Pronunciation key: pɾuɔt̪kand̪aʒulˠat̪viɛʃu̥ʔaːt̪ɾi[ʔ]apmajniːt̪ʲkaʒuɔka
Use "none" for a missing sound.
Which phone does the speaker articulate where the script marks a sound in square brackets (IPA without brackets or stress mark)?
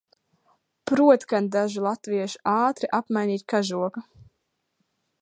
ʔ